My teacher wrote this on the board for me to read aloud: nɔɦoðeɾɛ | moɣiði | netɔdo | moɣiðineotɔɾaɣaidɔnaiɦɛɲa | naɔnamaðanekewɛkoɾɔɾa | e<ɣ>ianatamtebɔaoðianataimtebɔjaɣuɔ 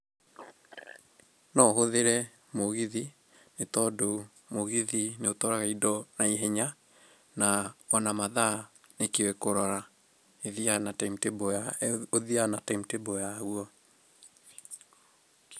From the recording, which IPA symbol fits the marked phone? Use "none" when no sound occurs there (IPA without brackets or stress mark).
ð